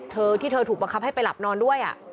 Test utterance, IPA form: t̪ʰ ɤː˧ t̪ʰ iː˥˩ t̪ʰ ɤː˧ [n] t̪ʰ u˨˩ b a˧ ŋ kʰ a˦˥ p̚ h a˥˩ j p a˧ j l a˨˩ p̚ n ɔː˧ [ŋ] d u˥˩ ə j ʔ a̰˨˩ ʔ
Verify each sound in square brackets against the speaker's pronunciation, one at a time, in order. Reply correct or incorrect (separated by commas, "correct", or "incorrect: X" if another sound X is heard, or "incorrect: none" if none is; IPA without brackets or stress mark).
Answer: incorrect: none, incorrect: n